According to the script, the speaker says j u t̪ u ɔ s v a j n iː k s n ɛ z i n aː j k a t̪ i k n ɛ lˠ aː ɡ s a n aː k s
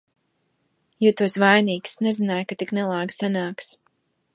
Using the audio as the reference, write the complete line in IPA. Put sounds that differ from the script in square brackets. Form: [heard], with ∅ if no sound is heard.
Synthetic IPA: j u t̪ u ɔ s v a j n iː k s n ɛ z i n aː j k a t̪ i k n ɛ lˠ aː ɡ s a n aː k s